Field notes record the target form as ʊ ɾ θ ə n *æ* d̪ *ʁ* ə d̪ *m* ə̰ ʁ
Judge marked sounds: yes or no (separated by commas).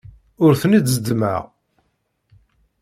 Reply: no, no, yes